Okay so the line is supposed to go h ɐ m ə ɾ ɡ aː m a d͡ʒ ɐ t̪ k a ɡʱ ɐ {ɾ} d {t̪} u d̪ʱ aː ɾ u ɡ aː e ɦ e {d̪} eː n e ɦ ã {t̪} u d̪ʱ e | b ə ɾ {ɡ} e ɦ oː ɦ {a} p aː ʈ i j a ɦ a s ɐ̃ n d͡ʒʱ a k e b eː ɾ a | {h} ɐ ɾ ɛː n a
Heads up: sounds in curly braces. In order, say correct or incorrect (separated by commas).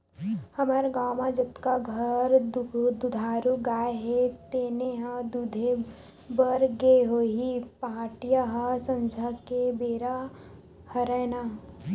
correct, incorrect, incorrect, incorrect, correct, incorrect, correct